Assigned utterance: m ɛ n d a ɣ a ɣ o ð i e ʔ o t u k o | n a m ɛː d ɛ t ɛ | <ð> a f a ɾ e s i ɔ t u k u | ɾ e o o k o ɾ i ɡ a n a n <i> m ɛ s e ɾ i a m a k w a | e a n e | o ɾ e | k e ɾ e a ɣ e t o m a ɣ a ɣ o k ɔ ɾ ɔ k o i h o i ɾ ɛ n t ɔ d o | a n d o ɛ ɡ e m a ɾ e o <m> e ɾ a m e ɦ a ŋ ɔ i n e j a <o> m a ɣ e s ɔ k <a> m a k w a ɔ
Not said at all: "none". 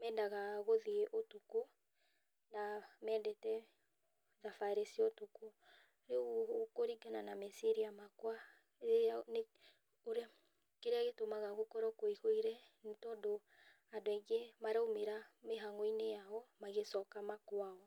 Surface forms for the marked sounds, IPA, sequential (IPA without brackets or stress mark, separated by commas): ð, a, m, ɔ, a